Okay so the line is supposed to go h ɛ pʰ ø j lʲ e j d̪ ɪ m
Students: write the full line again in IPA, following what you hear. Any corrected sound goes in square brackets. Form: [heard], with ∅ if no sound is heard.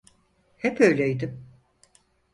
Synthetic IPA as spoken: h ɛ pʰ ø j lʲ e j d̪ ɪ m